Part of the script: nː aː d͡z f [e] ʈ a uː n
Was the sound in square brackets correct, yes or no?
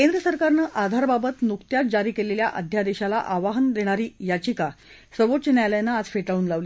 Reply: yes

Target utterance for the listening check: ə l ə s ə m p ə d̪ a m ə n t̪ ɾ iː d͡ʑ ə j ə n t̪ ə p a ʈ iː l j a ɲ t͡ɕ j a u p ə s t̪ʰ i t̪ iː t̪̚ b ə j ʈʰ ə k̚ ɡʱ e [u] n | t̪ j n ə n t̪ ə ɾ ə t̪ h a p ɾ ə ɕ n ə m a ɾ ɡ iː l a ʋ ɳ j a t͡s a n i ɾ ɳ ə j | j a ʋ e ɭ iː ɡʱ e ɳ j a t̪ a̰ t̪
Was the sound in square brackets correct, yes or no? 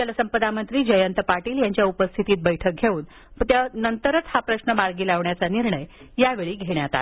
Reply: no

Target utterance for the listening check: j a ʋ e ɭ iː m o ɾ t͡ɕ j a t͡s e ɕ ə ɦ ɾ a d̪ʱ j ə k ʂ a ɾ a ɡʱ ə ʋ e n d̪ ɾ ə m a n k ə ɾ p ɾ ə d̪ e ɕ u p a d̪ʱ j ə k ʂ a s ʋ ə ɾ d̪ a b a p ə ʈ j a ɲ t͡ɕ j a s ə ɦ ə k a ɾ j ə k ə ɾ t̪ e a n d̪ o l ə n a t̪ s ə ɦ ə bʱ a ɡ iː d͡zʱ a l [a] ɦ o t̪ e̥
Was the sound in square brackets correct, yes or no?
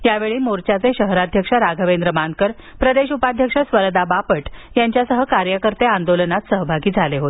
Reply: no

